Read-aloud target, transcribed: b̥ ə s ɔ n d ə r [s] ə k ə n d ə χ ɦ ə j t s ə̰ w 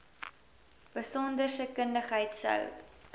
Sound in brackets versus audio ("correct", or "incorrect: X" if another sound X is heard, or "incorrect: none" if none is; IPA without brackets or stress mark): correct